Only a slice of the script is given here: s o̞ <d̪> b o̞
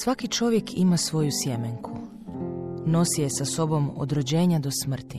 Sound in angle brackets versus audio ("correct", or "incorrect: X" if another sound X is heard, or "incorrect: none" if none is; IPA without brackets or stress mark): incorrect: none